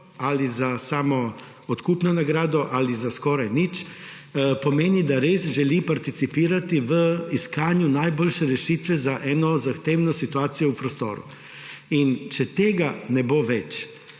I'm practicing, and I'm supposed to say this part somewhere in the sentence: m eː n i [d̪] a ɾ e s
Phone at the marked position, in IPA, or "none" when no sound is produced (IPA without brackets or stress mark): d̪